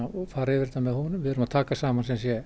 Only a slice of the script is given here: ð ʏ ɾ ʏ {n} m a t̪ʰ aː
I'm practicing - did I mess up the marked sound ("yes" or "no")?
yes